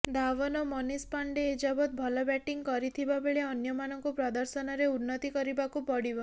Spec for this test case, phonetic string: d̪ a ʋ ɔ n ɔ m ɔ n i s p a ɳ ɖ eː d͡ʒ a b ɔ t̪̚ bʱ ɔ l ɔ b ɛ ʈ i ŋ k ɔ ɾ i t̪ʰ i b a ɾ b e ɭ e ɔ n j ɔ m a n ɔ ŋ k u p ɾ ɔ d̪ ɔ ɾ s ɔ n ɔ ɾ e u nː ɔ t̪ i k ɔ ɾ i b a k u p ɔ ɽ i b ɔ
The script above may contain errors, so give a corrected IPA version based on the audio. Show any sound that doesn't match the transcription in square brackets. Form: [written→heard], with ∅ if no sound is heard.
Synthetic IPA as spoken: d̪ a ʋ ɔ n ɔ m ɔ n i s p a ɳ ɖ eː d͡ʒ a b ɔ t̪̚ bʱ ɔ l ɔ b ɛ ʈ i ŋ k ɔ ɾ i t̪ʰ i b a [ɾ→∅] b e ɭ e ɔ n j ɔ m a n ɔ ŋ k u p ɾ ɔ d̪ ɔ ɾ s ɔ n ɔ ɾ e u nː ɔ t̪ i k ɔ ɾ i b a k u p ɔ ɽ i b ɔ